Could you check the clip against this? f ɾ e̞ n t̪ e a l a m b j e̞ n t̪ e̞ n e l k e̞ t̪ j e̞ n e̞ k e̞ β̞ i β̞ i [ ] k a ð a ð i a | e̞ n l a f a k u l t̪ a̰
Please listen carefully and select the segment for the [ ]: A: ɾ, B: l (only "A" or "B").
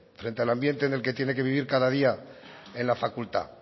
A